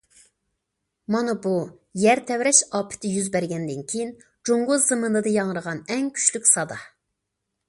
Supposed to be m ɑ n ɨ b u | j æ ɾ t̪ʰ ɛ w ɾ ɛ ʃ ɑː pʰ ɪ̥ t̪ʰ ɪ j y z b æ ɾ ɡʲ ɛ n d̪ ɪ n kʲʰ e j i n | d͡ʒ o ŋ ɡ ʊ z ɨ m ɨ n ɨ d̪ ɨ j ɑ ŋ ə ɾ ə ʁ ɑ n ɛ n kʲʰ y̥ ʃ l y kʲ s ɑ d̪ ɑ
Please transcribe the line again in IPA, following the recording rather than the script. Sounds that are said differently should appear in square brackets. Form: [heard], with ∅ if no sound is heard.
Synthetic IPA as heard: m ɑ n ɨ b u | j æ ɾ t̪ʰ ɛ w ɾ ɛ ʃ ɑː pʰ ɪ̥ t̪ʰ ɪ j y z b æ ɾ ɡʲ ɛ n d̪ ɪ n kʲʰ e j i n | d͡ʒ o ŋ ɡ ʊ z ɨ m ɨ n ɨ d̪ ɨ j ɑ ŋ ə ɾ ə ʁ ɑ n ɛ [ŋ] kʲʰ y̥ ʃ l y kʲ s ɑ d̪ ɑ